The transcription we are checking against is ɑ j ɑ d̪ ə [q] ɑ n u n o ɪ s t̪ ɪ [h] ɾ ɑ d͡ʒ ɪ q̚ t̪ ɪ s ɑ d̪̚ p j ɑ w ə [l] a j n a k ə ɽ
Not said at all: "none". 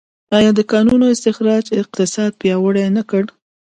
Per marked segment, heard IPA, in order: k, x, ɽ

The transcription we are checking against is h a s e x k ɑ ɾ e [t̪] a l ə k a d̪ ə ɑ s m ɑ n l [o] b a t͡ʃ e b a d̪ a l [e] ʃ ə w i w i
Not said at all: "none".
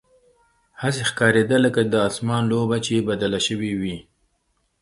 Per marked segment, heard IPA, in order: d̪, o, a

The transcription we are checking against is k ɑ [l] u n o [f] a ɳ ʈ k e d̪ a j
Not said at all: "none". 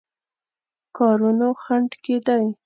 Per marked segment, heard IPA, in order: ɾ, x

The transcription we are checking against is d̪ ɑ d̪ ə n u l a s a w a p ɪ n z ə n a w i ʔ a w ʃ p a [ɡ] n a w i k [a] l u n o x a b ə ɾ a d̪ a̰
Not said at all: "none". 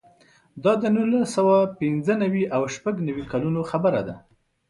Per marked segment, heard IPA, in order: ɡ, a

